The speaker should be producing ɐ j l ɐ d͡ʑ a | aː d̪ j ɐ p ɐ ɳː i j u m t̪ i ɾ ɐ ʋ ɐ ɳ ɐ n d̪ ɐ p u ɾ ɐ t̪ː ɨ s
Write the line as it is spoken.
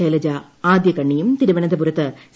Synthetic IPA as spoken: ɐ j l ɐ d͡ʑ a | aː d̪ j ɐ k ɐ ɳː i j u m t̪ i ɾ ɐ ʋ ɐ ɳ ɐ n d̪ ɐ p u ɾ ɐ t̪ː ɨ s

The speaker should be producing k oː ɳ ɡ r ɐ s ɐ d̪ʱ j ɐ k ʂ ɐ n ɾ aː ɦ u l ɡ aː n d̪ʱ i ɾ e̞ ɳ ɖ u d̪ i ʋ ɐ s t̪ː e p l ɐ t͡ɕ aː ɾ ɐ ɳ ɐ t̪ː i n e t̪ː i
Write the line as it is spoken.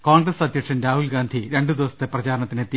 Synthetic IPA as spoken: k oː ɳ ɡ r ɐ s ɐ d̪ʱ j ɐ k ʂ ɐ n ɾ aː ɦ u l ɡ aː n d̪ʱ i ɾ e̞ ɳ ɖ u d̪ i ʋ ɐ s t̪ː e p r ɐ t͡ɕ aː ɾ ɐ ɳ ɐ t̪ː i n e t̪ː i

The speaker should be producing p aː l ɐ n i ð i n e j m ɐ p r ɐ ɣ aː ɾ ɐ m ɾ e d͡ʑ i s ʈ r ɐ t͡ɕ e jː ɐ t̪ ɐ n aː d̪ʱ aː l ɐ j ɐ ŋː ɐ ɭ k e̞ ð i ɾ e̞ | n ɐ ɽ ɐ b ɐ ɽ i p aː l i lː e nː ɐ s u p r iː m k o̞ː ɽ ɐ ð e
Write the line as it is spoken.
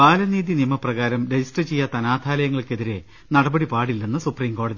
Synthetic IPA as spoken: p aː l ɐ n iː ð i n i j m ɐ p r ɐ ɣ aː ɾ ɐ m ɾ e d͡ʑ i s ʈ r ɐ t͡ɕ e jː ɐ t̪ ɐ n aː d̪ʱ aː l ɐ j ɐ ŋː ɐ ɭ k e̞ ð i ɾ e̞ | n ɐ ɽ ɐ b ɐ ɽ i p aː ɽ i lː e nː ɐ s u p r iː m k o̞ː ɽ ɐ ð i

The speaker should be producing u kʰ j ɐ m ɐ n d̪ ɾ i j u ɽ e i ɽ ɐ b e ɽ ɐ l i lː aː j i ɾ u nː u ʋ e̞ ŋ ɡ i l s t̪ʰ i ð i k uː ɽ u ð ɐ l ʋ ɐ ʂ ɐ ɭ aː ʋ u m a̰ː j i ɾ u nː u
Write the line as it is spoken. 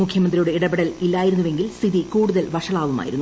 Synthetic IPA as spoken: u kʰ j ɐ m ɐ n d̪ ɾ i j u ɽ e i ɽ ɐ b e ɽ ɐ l i lː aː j i ɾ u nː u ʋ e̞ ŋ ɡ i l s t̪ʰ i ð i k uː ɽ u ð ɐ l ʋ ɐ ʂ ɐ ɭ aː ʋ u m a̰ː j i ɾ u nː u

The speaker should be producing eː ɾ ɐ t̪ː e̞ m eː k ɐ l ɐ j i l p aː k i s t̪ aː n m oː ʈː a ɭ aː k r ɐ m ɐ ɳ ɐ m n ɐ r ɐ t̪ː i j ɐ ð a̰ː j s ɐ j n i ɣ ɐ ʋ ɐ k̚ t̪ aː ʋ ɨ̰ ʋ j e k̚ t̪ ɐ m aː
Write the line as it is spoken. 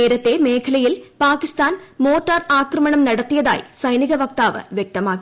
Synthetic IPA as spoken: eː ɾ ɐ t̪ː e̞ m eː kʰ ɐ l ɐ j i l p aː k i s t̪ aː n m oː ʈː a r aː k r ɐ m ɐ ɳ ɐ m n ɐ ɽ ɐ t̪ː i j ɐ ð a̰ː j s ɐ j n i ɣ ɐ ʋ ɐ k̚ t̪ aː ʋ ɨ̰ ʋ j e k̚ t̪ ɐ m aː

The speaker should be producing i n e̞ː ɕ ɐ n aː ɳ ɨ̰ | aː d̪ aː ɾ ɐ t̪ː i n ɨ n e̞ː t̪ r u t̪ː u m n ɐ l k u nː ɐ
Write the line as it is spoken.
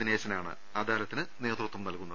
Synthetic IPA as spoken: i n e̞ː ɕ ɐ n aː ɳ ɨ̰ | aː d̪ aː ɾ ɐ t̪ː i n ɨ n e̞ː t̪ r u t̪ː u m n ɐ l k u nː ɐ

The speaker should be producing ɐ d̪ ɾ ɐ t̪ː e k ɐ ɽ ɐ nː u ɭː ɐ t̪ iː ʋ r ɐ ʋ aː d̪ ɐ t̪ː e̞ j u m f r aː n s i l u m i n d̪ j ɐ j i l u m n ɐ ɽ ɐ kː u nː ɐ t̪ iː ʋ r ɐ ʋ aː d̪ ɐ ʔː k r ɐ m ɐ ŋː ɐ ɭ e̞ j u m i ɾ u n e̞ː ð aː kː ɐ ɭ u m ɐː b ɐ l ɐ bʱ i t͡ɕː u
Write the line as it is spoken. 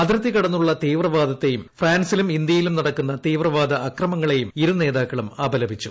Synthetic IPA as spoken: ɐ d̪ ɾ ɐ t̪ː i k ɐ ɽ ɐ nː u ɭː ɐ t̪ iː ʋ r ɐ ʋ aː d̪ ɐ t̪ː e̞ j u m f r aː n s i l u m i n d̪ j ɐ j i l u m n ɐ ɽ ɐ kː u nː ɐ t̪ iː ʋ r ɐ ʋ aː d̪ ɐ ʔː k r ɐ m ɐ ŋː ɐ ɭ e̞ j u m i ɾ u n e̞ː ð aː kː ɐ ɭ u m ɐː b ɐ l ɐ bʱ i t͡ɕː u

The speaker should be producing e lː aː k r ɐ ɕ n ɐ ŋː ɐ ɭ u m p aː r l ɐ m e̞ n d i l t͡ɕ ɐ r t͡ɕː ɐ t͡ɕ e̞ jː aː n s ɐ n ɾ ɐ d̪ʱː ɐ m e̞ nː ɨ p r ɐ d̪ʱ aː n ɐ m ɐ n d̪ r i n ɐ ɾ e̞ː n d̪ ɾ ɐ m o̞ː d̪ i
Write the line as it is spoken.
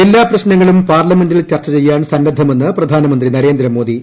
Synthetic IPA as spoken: e lː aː p r ɐ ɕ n ɐ ŋː ɐ ɭ u m p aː r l ɐ m e̞ n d i l t͡ɕ ɐ r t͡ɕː ɐ t͡ɕ e̞ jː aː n s ɐ n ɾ ɐ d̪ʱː ɐ m e̞ nː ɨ p r ɐ d̪ʱ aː n ɐ m ɐ n d̪ r i n ɐ ɾ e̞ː n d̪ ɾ ɐ m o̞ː d̪ i

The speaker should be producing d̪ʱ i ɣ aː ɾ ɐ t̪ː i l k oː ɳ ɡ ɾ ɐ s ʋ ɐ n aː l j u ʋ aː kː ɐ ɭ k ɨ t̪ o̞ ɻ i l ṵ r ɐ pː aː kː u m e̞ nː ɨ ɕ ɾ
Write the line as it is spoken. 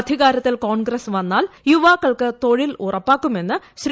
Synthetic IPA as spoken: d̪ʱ i ɣ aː ɾ ɐ t̪ː i l k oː ɳ ɡ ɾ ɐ s ʋ ɐ nː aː l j u ʋ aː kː ɐ ɭ k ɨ t̪ o̞ ɻ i l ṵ r ɐ pː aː kː u m e̞ nː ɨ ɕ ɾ

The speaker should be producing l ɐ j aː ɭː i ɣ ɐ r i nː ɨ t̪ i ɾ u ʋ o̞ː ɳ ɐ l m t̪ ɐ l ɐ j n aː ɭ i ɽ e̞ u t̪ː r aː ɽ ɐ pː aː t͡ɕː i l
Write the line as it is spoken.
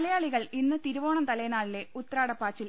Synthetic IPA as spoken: l ɐ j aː ɭ i ɣ ɐ ɭ i nː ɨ t̪ i ɾ u ʋ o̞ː ɳ ɐ m t̪ ɐ l ɐ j n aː ɭ i l e̞ u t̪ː r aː ɽ ɐ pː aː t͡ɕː i l

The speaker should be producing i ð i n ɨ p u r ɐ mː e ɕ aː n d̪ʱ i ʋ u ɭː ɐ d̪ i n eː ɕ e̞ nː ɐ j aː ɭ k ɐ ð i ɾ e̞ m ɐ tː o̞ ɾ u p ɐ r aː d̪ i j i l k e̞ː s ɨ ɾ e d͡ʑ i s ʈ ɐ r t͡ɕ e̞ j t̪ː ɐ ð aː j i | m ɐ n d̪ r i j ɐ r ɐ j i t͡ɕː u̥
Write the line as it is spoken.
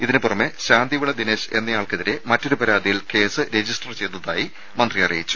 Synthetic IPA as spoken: i ð i n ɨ p u r ɐ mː e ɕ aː n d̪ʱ i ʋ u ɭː ɐ d̪ i n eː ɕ e̞ nː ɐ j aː ɭ k ɐ ð i ɾ e̞ m ɐ tː o̞ ɾ u p ɐ ɾ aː d̪ i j i l k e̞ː s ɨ ɾ e d͡ʑ i s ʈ ɐ r t͡ɕ e̞ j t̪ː ɐ ð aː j i | m ɐ n d̪ r i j ɐ r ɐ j i t͡ɕː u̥

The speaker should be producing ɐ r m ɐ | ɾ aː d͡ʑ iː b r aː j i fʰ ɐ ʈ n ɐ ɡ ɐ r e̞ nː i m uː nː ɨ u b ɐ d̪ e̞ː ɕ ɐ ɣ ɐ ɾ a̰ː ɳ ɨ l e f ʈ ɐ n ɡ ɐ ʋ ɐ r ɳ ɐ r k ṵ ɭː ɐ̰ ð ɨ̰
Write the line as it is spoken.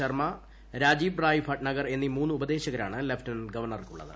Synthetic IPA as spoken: ɐ r m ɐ | ɾ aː d͡ʑ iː b r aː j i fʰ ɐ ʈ n ɐ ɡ ɐ r e̞ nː i m uː nː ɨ u b ɐ d̪ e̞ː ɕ ɐ ɣ ɐ ɾ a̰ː ɳ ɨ l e f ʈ ɐ n ɡ ɐ ʋ ɐ r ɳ ɐ r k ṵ ɭː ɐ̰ ð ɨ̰

